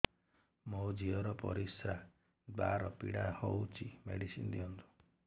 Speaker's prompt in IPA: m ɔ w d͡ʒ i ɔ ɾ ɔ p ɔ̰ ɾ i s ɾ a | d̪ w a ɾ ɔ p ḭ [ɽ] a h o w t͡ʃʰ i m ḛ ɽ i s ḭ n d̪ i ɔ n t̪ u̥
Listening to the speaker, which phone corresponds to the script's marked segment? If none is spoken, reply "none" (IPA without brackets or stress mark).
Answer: ɽ